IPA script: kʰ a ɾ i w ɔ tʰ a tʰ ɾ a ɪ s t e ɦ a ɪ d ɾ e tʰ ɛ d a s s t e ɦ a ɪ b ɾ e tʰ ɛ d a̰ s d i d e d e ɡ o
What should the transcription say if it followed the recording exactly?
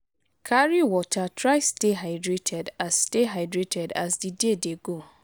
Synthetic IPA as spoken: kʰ a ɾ i w ɔ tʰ a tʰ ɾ a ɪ s t e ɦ a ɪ d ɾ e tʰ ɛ d a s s t e ɦ a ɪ d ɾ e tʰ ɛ d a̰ s d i d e d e ɡ o